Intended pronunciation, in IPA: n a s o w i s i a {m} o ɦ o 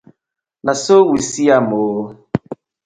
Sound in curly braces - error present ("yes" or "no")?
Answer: no